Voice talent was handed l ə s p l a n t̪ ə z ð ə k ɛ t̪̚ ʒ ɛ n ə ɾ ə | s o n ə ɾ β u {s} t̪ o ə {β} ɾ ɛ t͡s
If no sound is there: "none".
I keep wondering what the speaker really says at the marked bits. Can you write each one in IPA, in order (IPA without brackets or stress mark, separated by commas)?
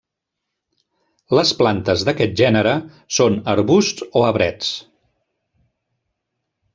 s, β